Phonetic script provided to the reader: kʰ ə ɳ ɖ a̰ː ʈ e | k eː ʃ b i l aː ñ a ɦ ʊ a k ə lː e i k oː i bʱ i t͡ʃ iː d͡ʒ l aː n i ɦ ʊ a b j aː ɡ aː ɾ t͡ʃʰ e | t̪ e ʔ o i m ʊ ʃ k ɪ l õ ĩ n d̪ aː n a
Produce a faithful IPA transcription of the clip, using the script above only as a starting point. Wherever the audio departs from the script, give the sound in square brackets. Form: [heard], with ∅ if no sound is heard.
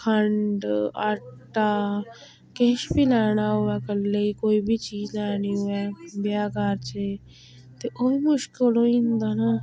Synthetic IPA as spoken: kʰ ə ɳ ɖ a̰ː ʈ [a] | k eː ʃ b i l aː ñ a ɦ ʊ a k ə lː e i k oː i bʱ i t͡ʃ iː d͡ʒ l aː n i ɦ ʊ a b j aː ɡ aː ɾ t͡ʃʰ e | t̪ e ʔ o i m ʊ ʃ k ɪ l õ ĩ n d̪ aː n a